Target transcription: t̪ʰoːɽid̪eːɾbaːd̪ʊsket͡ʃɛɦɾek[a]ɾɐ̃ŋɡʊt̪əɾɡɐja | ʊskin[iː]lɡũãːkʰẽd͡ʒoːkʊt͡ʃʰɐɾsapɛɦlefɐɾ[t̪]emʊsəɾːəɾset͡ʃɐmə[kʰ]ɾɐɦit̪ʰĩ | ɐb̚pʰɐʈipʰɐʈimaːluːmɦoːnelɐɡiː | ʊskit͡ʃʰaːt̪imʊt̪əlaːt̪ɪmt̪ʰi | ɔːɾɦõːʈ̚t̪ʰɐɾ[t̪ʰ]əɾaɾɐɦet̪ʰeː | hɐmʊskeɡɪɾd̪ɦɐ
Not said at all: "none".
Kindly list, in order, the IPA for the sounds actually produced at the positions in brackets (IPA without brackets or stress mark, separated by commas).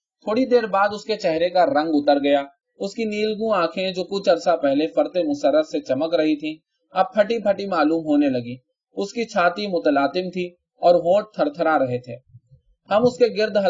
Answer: a, iː, t̪, k, t̪ʰ